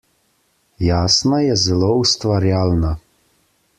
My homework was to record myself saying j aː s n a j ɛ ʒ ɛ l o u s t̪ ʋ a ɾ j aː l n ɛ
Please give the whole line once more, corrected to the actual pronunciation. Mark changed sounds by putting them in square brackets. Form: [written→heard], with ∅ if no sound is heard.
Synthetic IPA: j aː s n a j ɛ [ʒ→z] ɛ l o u s t̪ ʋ a ɾ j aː l n [ɛ→a]